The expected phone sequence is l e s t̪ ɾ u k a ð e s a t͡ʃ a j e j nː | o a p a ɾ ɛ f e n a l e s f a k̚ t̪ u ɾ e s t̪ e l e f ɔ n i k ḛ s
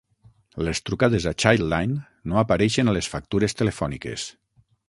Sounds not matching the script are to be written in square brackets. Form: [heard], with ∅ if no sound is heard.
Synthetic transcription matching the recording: l e s t̪ ɾ u k a ð e [z] a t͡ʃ a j [a] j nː | o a p a ɾ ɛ [ʃ] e n a l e s f a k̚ t̪ u ɾ e s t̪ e l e f ɔ n i k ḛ s